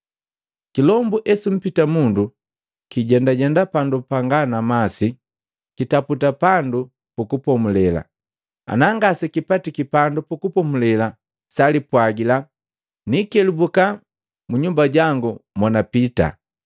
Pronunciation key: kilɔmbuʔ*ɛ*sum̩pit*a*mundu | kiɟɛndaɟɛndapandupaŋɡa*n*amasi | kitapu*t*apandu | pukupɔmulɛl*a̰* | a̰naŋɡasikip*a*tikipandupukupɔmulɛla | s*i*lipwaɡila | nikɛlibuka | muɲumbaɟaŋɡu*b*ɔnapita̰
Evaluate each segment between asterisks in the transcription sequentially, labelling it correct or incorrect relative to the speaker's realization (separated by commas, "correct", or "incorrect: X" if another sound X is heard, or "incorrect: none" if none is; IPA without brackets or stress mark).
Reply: correct, correct, correct, correct, correct, correct, incorrect: a, incorrect: m